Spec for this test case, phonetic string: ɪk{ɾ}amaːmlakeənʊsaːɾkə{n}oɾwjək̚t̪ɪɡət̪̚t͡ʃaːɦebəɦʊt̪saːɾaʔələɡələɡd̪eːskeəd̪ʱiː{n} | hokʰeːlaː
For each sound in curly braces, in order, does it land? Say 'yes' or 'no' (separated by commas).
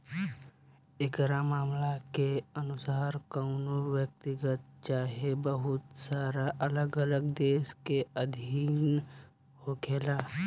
yes, yes, yes